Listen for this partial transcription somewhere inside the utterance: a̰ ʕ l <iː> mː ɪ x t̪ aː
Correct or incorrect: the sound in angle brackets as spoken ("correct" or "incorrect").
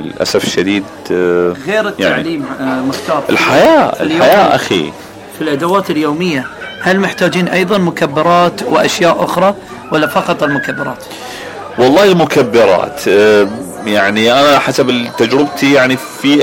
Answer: correct